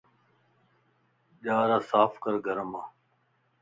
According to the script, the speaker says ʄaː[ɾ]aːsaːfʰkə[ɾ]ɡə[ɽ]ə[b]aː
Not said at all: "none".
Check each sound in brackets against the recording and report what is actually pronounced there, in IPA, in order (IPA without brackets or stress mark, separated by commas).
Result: ɾ, ɾ, ɾ, m